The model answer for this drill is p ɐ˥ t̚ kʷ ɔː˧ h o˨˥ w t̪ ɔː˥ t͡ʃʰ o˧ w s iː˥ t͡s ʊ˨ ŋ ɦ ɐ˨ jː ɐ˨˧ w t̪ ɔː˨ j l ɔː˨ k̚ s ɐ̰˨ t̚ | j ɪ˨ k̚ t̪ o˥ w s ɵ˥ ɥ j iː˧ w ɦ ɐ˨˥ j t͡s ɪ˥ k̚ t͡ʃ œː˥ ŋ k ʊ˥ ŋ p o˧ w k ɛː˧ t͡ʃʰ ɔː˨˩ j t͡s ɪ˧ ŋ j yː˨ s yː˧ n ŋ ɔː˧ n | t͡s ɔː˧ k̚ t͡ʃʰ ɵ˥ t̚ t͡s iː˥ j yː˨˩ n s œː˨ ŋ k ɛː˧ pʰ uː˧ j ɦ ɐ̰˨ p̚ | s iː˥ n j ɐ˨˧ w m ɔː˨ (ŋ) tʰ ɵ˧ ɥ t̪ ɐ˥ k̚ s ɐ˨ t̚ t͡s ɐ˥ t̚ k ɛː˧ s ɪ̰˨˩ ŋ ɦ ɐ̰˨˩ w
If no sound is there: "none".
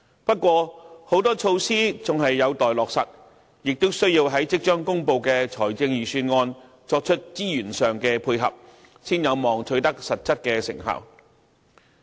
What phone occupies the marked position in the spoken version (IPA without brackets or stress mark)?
ŋ